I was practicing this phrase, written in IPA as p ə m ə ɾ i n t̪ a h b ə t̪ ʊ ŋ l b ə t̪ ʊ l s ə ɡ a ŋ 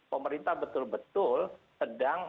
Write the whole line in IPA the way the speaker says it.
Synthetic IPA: p ə m ə ɾ i n t̪ a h b ə t̪ ʊ l b ə t̪ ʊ l s ə d a ŋ